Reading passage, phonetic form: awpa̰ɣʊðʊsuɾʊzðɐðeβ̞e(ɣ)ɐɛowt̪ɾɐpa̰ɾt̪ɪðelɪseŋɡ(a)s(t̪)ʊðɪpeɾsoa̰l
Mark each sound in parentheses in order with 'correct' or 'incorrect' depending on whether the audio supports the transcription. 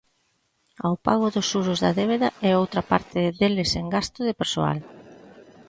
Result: incorrect: ð, correct, correct

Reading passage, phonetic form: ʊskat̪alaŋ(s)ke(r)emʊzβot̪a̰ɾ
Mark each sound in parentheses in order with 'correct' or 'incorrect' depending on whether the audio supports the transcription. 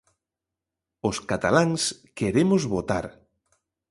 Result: correct, incorrect: ɾ

